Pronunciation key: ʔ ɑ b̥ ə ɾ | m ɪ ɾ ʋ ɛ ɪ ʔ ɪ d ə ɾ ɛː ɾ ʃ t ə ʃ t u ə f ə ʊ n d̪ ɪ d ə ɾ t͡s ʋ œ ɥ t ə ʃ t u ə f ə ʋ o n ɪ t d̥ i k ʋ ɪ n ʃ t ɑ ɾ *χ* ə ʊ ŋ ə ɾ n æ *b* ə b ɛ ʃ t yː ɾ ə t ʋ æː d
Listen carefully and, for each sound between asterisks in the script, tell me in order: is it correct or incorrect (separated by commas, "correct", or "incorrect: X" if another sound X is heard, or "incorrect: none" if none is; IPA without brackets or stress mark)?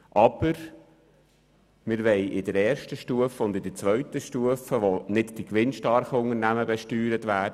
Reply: correct, incorrect: m